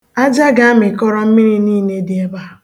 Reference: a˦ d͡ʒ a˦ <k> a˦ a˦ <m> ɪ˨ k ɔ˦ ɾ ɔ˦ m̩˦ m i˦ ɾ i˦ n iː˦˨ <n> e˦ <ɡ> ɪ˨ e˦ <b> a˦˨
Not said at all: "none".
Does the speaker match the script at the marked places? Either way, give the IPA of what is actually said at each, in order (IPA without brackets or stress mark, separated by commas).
ɡ, m, n, d, b